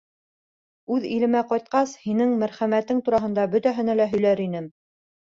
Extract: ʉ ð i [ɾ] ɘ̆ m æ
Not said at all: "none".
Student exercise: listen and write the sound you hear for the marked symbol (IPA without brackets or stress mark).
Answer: l